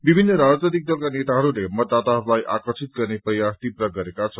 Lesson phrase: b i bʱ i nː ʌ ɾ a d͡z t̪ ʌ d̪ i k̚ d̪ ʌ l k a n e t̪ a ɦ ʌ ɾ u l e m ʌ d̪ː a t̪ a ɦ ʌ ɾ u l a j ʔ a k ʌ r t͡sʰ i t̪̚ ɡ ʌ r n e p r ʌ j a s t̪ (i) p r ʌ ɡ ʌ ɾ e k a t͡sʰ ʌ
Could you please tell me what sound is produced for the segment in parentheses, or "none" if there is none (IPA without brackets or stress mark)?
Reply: i